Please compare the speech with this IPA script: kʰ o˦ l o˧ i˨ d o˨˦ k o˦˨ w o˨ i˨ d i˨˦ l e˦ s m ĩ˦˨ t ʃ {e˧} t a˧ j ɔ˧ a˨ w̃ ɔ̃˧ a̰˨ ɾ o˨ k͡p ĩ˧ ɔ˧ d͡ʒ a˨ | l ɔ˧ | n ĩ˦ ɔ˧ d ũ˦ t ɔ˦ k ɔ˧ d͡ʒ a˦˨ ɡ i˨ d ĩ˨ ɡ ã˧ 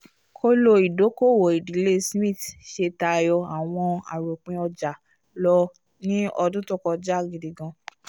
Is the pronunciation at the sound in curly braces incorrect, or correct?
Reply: correct